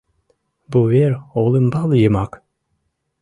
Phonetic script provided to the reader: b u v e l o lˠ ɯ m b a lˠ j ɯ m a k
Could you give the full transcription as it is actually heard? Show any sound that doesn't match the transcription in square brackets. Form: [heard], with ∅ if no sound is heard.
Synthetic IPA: b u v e [ɾ] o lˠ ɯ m b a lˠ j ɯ m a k